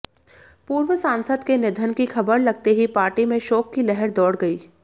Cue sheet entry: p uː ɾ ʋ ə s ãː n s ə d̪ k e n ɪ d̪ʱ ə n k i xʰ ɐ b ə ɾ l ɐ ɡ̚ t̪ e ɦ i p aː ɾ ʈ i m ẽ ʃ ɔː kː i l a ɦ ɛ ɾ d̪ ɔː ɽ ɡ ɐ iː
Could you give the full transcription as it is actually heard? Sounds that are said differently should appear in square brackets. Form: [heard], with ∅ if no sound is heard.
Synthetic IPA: p uː ɾ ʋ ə s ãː n s ə d̪ k e n ɪ d̪ʱ ə n k i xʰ ɐ b ə ɾ l ɐ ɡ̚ t̪ e ɦ i p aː ɾ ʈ i m ẽ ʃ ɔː kː i l [ɛ] ɦ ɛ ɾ d̪ ɔː ɽ ɡ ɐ iː

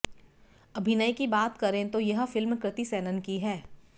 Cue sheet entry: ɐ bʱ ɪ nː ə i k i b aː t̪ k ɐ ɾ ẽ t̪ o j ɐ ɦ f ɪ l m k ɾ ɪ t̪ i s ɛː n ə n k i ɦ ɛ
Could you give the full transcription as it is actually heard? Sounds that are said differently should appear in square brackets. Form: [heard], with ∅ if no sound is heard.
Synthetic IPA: ɐ bʱ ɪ [n] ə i k i b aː t̪ k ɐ ɾ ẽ t̪ o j ɐ ɦ f ɪ l m k ɾ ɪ t̪ i s ɛː n ə n k i ɦ [ɛː]

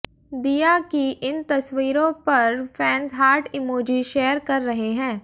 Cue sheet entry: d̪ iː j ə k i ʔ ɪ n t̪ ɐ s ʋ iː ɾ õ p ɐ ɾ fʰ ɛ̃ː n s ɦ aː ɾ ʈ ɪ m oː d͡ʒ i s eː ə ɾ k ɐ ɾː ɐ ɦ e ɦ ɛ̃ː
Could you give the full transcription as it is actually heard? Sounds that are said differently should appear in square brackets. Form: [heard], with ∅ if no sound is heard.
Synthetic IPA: d̪ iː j [a] k i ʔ ɪ n t̪ ɐ s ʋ iː ɾ õ p ɐ ɾ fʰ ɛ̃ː n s ɦ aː ɾ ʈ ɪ m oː d͡ʒ i [ʃ] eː ə ɾ k ɐ ɾː ɐ ɦ e ɦ ɛ̃ː

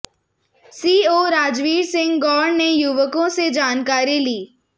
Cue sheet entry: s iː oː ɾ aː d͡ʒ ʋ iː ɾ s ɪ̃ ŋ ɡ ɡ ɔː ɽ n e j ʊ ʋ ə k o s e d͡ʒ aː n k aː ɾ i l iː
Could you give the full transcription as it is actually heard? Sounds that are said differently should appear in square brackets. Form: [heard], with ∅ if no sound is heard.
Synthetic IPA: s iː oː ɾ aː d͡ʒ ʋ iː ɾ s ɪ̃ ŋ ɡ ɡ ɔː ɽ n e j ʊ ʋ ə k [õ] s e d͡ʒ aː n k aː ɾ i l iː

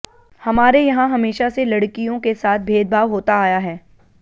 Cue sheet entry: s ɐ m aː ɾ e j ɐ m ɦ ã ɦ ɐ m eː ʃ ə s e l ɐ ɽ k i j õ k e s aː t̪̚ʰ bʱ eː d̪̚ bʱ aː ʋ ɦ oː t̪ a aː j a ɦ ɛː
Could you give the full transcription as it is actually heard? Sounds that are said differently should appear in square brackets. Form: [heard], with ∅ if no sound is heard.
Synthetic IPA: [h] ɐ m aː ɾ e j ɐ [∅] ɦ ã ɦ ɐ m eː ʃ [a] s e l ɐ ɽ k i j õ k e s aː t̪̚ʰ bʱ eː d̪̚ bʱ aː ʋ ɦ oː t̪ a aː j a ɦ ɛː

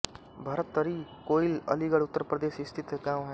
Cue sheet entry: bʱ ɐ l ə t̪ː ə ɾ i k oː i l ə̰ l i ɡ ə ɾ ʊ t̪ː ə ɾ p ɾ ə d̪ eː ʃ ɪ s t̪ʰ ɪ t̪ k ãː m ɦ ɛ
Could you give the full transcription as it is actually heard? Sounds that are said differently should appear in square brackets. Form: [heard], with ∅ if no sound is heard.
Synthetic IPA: bʱ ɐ [ɾ] ə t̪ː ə ɾ i k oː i l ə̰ l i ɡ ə [ɽ] ʊ t̪ː ə ɾ p ɾ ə d̪ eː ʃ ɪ s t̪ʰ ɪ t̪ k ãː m ɦ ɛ

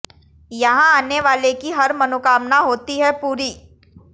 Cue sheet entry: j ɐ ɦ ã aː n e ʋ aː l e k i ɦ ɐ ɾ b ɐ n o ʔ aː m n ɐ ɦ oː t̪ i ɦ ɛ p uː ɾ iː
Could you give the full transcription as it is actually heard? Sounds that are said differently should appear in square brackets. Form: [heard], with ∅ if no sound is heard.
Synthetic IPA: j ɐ ɦ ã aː n e ʋ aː l e k i ɦ ɐ ɾ [m] ɐ n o [k] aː m n [a] ɦ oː t̪ i ɦ ɛ p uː ɾ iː

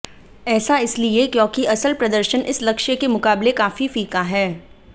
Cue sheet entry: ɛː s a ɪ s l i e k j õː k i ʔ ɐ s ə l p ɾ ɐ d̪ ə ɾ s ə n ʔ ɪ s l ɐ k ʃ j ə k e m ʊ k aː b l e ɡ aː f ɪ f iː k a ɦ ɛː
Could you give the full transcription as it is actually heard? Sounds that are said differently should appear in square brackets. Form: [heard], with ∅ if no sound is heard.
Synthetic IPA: ɛː s a ɪ s l i e k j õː k i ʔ ɐ s ə l p ɾ ɐ d̪ ə ɾ [ʃ] ə n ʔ ɪ s l ɐ k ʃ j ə k e m ʊ k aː b l e [k] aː f [i] f iː k a ɦ ɛː

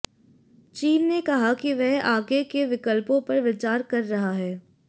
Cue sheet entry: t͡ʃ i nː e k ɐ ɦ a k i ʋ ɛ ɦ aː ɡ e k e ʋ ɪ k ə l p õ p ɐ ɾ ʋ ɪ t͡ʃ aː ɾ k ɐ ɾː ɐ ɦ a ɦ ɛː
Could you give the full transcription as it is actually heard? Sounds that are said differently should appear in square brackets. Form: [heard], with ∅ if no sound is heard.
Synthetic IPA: t͡ʃ [iː] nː e k ɐ ɦ a k i ʋ ɛ ɦ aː ɡ e k e ʋ ɪ k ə l p õ p ɐ ɾ ʋ ɪ t͡ʃ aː ɾ k ɐ ɾː ɐ ɦ a ɦ ɛː

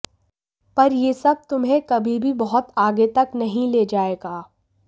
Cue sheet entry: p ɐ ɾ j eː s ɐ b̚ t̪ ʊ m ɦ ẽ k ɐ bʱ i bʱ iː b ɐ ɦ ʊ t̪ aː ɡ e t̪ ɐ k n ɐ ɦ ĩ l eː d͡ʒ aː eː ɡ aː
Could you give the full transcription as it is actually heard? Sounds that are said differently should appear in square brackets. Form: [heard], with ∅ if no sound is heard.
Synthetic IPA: p ɐ ɾ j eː s ɐ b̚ t̪ ʊ m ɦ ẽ k ɐ bʱ i bʱ [i] b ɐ ɦ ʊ t̪ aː ɡ e t̪ ɐ k n ɐ ɦ ĩ l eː d͡ʒ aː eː ɡ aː

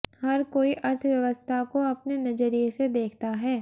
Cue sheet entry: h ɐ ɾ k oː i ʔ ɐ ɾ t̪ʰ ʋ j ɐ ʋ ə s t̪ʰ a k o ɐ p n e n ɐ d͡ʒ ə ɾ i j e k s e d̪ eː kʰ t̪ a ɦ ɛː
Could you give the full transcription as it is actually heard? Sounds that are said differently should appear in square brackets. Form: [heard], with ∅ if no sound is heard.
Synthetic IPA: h ɐ ɾ k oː i ʔ ɐ ɾ t̪ʰ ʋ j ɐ ʋ ə s t̪ʰ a k o ɐ p n e n ɐ d͡ʒ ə ɾ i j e [∅] s e d̪ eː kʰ t̪ a ɦ ɛː

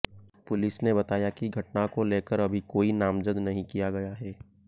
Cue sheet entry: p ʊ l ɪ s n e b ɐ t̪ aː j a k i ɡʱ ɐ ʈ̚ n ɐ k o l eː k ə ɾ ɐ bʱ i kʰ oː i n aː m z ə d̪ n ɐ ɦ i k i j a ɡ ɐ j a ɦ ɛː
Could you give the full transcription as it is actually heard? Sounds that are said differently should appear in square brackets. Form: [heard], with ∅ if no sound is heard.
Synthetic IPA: p ʊ l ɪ s n e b ɐ t̪ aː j a k i ɡʱ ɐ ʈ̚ n [a] k o l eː k ə ɾ ɐ bʱ i [k] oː i n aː m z ə d̪ n ɐ ɦ [ĩ] k i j a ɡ ɐ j a ɦ ɛː

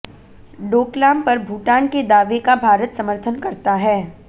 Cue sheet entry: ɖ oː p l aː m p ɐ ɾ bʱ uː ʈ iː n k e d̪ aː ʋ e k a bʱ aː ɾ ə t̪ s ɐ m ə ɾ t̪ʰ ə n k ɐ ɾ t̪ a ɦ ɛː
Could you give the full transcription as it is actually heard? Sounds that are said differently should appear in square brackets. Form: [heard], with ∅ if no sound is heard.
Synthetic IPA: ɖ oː [k] l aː m p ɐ ɾ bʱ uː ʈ [aː] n k e d̪ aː ʋ e k a bʱ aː ɾ ə t̪ s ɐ m ə ɾ t̪ʰ ə n k ɐ ɾ t̪ a ɦ ɛː

